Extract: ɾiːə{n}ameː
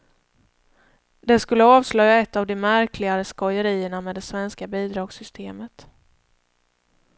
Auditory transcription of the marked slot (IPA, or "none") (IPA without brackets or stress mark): ɳ